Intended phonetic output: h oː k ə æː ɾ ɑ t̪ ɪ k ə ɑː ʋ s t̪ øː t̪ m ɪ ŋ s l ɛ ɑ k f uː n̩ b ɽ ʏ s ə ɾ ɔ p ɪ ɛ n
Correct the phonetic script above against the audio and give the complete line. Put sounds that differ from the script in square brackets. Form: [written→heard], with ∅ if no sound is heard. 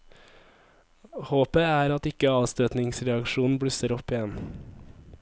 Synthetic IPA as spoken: h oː [k→p] ə æː ɾ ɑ t̪ ɪ k ə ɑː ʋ s t̪ øː t̪ [m→n] ɪ ŋ s [l→ɾ] ɛ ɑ k [f→ʃ] uː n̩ b ɽ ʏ s ə ɾ ɔ p ɪ ɛ n